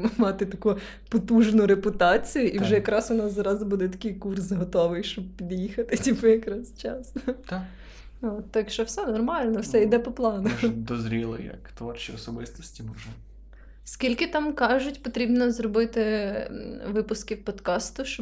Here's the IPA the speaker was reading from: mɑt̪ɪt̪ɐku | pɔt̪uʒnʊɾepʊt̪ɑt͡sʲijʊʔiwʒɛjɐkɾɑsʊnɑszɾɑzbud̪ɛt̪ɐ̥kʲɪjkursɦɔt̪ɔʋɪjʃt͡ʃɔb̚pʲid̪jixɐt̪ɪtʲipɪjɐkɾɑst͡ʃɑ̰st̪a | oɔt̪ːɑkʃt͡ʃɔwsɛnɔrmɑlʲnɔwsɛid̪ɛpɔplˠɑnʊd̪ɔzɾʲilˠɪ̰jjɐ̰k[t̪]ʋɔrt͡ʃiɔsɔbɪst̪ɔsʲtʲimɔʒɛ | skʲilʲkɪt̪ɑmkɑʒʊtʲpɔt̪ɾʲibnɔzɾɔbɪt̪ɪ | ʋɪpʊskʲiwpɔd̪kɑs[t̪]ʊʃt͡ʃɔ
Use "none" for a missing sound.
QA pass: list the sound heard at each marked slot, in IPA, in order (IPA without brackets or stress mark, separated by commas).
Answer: t̪, t̪